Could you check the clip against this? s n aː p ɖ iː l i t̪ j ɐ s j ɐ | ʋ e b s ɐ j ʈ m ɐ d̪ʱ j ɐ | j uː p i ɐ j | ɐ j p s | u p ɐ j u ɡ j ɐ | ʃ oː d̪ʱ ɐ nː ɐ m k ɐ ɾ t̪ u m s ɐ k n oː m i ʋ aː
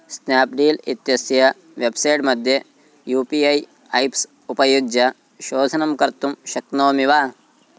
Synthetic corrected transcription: s n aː p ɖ iː l i t̪ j ɐ s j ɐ | ʋ e b s ɐ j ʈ m ɐ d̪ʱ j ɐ | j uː p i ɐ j | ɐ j p s | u p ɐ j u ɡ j ɐ | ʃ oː d̪ʱ ɐ n ɐ m k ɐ ɾ t̪ u m ʃ ɐ k n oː m i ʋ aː